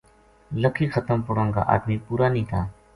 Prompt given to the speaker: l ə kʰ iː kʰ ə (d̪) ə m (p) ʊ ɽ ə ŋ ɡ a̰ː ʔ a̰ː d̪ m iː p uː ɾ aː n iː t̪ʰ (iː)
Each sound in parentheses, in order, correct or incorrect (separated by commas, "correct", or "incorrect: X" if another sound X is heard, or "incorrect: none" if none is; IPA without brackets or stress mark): incorrect: t̪, correct, incorrect: aː